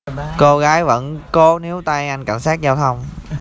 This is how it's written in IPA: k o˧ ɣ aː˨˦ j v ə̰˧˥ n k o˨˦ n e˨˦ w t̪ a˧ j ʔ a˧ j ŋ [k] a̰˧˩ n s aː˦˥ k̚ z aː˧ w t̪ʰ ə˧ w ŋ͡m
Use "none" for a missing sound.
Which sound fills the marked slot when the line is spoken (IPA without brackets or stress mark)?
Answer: k